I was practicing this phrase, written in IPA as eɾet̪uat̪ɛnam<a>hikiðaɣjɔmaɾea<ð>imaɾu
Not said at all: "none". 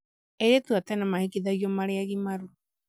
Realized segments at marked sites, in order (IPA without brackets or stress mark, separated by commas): a, ɣ